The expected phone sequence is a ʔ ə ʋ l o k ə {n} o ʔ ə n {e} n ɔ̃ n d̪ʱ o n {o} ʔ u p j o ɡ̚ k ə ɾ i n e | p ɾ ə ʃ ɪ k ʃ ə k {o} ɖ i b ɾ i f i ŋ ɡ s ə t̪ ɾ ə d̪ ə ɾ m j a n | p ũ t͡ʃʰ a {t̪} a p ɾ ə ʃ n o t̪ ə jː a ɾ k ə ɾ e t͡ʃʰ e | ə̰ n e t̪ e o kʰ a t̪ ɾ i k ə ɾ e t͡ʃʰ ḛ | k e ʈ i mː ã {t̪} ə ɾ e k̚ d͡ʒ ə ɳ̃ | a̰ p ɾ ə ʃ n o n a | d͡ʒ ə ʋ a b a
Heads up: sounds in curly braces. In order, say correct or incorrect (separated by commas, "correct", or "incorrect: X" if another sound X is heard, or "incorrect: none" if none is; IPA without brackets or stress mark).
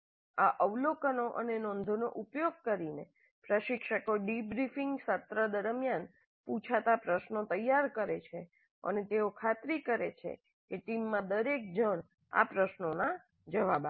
correct, correct, correct, correct, correct, incorrect: d̪